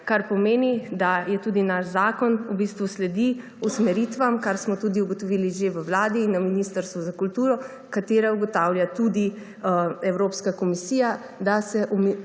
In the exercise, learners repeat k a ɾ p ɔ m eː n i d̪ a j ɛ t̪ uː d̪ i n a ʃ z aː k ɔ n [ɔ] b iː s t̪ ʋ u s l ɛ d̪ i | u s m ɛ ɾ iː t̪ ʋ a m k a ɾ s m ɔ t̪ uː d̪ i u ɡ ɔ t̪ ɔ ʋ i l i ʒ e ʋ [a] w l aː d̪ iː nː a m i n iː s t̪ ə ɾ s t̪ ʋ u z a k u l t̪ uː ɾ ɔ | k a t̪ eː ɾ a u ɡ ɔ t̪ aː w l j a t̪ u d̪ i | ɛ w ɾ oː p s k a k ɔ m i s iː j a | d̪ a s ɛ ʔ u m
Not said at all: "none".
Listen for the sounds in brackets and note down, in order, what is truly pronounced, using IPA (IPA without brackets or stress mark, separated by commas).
u, ə